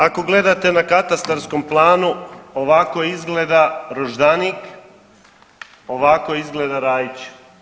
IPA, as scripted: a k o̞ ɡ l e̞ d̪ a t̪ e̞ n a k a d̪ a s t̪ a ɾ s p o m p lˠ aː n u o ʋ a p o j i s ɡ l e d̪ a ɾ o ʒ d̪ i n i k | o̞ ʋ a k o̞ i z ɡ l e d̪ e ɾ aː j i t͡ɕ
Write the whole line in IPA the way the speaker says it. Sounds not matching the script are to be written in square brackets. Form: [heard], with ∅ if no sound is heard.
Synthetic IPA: a k o̞ ɡ l e̞ d̪ a t̪ e̞ n a k a [t̪] a s t̪ a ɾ s [k] o m p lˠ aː n u o ʋ a [k] o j i [z] ɡ l e d̪ a ɾ o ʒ d̪ [a] n i k | o̞ ʋ a k o̞ i z ɡ l e d̪ [a] ɾ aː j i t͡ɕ